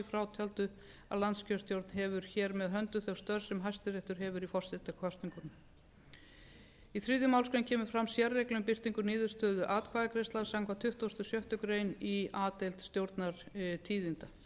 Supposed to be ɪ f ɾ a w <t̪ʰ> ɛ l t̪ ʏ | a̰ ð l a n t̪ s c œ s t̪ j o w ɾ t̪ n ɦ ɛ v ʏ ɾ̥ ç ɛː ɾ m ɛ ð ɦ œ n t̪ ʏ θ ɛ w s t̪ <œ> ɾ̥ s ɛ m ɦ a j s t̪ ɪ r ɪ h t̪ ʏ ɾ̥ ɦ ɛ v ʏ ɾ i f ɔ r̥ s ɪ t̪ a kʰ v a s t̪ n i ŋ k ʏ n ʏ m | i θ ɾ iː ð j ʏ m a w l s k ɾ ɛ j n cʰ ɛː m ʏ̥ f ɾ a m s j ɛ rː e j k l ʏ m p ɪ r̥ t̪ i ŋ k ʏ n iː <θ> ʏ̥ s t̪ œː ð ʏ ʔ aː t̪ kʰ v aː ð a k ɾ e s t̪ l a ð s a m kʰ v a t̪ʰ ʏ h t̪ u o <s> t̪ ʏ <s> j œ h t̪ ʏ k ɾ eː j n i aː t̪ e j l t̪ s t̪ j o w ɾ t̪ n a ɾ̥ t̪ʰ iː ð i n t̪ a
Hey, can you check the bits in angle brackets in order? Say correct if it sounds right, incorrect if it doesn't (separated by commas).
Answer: correct, correct, incorrect, correct, correct